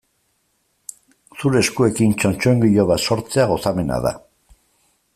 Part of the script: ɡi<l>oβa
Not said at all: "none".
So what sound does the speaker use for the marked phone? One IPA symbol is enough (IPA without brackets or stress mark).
ʎ